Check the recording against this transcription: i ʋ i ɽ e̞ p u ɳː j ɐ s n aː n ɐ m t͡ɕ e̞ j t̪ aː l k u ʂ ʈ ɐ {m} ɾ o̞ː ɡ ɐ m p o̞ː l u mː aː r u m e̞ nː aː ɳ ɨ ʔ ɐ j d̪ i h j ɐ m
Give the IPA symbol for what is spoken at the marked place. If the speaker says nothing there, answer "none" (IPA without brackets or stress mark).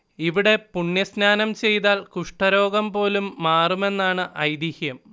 none